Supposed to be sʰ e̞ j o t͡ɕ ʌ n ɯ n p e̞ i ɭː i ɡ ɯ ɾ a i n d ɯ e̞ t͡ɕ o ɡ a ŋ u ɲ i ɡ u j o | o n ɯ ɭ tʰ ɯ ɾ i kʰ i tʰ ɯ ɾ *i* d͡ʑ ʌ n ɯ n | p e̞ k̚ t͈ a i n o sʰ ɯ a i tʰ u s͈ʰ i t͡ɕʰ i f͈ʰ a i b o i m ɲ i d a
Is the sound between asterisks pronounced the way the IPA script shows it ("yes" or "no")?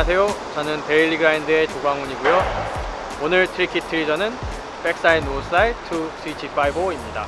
yes